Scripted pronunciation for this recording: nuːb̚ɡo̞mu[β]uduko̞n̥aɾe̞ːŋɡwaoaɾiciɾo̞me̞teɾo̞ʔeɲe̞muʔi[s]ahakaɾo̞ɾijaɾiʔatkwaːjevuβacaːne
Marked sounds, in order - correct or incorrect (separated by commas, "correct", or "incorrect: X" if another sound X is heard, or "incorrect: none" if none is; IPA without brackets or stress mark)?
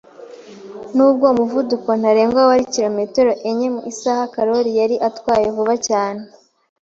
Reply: incorrect: v, correct